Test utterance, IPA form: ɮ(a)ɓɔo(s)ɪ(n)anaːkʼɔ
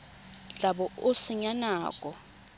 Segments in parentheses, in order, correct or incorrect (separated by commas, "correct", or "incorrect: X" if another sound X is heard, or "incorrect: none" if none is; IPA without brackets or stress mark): correct, correct, incorrect: ɲ